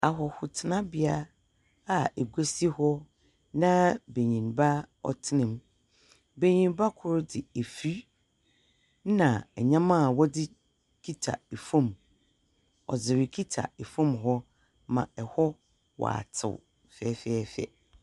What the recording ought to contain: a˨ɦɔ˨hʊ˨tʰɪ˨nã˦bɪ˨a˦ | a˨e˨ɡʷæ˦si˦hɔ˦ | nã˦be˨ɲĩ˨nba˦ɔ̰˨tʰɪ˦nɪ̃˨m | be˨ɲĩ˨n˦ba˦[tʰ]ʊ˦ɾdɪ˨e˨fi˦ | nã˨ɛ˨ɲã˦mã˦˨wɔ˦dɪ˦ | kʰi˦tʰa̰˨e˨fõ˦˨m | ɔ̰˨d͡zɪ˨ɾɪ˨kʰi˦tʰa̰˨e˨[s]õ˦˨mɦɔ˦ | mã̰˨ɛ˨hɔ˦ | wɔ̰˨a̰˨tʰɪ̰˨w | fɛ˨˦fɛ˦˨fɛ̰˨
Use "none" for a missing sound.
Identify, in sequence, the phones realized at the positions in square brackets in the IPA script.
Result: kʰ, f

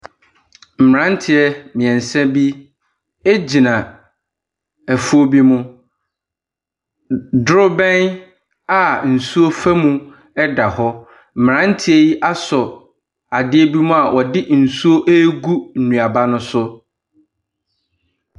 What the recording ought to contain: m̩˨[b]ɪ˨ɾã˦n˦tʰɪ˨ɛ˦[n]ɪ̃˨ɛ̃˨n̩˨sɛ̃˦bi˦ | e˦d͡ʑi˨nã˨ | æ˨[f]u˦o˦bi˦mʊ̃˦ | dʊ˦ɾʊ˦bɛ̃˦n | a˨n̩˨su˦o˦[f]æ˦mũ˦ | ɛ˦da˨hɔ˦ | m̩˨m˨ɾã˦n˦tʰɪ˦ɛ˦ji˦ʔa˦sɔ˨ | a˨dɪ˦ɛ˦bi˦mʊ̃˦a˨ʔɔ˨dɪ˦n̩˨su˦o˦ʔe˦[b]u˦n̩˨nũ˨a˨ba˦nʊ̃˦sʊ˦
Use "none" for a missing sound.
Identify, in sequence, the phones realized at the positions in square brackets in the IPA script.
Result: m, m, f, f, ɡ

